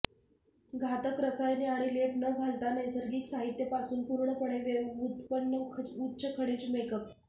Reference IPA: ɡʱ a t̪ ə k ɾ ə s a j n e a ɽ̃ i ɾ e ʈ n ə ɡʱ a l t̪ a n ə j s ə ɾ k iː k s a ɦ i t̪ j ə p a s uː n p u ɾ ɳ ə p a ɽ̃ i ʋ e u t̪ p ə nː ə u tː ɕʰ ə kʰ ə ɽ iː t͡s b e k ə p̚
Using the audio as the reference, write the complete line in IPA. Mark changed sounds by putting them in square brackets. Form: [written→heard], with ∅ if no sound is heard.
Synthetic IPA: ɡʱ a t̪ ə k ɾ ə s a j n e a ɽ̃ i [ɾ→l] e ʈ n ə ɡʱ a l t̪ a n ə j s ə ɾ [k→ɡ] iː k s a ɦ i t̪ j ə p a s uː n p u ɾ ɳ ə p [a→ə] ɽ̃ [i→e] ʋ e u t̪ p ə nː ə u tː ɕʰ ə kʰ ə ɽ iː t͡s [b→m] e k ə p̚